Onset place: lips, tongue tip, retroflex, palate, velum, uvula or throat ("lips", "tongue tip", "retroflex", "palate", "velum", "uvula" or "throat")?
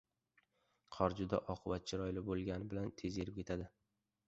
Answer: uvula